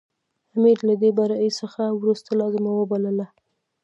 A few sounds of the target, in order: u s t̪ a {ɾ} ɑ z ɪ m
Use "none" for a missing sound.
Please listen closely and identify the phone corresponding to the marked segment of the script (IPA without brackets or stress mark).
l